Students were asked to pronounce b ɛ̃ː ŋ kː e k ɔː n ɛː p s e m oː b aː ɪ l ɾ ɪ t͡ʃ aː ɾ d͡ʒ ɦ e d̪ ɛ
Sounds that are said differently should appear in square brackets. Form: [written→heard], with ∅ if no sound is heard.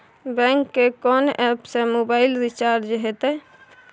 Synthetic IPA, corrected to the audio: b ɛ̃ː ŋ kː e k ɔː n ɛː p s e m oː b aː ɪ l ɾ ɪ t͡ʃ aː ɾ d͡ʒ ɦ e [d̪→t̪] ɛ

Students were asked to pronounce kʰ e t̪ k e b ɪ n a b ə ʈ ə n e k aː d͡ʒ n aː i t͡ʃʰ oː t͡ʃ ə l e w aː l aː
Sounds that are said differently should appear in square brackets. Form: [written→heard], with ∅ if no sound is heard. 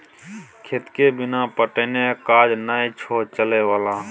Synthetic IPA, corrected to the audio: kʰ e t̪ k e b ɪ n a [b→p] ə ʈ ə n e k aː d͡ʒ n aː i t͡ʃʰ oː t͡ʃ ə l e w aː l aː

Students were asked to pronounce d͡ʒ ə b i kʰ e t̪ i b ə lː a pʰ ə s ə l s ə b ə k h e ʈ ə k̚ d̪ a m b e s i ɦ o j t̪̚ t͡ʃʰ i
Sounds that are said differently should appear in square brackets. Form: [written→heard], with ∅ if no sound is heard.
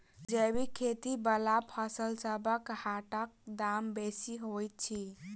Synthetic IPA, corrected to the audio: d͡ʒ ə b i kʰ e t̪ i b ə [lː→l] a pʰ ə s ə l s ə b ə k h [e→a] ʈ ə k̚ d̪ a m b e s i ɦ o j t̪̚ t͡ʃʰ i

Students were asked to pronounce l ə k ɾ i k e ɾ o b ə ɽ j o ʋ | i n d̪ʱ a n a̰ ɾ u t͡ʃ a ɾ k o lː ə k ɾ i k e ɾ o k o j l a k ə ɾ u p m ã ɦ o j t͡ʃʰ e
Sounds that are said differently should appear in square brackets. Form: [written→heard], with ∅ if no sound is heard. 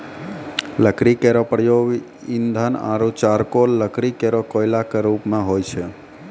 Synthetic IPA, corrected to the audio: l ə k ɾ i k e ɾ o [b→p] ə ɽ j o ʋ | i n d̪ʱ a n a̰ ɾ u t͡ʃ a ɾ k o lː ə k ɾ i k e ɾ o k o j l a k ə ɾ u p m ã ɦ o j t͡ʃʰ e

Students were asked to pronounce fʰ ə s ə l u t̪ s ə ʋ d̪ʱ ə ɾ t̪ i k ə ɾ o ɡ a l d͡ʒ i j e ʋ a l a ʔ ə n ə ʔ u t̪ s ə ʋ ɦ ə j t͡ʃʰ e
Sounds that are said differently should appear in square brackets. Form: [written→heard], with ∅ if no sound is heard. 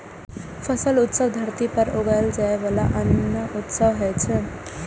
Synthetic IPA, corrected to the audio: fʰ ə s ə l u t̪ s ə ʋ d̪ʱ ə ɾ t̪ i [k→p] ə ɾ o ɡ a l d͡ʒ [i→a] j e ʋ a l a ʔ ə n ə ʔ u t̪ s ə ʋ ɦ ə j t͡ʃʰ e

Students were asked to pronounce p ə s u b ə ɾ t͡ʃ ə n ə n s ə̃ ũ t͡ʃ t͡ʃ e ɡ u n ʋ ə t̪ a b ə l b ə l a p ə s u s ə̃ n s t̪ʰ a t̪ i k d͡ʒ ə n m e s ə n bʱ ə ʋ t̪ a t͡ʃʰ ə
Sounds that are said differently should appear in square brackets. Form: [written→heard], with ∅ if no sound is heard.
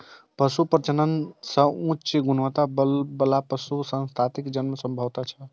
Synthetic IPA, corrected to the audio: p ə s u [b→p] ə ɾ t͡ʃ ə n ə n s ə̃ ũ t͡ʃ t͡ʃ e ɡ u n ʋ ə t̪ a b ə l b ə l a p ə s u s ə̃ n s t̪ʰ a t̪ i k d͡ʒ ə n m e s ə [n→m] bʱ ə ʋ t̪ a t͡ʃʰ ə

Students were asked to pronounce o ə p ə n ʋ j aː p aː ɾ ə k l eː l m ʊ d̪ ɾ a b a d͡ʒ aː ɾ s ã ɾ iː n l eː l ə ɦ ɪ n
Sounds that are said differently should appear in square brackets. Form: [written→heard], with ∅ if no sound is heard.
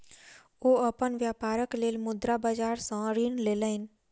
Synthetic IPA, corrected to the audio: o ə p ə n ʋ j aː p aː ɾ ə k l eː l m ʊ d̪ ɾ a b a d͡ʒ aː ɾ s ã ɾ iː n l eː l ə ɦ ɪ n

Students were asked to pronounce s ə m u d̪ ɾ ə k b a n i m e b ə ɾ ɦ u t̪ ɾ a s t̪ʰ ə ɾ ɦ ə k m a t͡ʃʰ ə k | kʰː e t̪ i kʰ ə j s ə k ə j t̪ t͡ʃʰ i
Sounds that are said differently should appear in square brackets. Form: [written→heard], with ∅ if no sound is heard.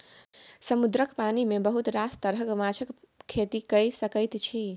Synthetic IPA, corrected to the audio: s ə m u d̪ ɾ ə k [b→p] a n i m e b ə [ɾ→∅] ɦ u t̪ ɾ a s [t̪ʰ→t̪] ə ɾ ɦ ə k m a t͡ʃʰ ə k | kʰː e t̪ i [kʰ→k] ə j s ə k ə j t̪ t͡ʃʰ i

